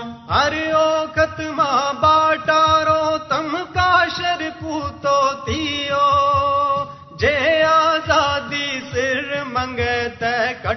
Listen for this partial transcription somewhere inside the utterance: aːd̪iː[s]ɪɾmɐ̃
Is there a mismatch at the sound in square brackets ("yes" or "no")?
no